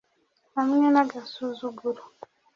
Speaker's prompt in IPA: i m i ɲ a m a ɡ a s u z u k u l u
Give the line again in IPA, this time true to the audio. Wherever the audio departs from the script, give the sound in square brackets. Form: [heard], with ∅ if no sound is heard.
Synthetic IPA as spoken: [a] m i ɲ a [n] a ɡ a s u z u [ɡ] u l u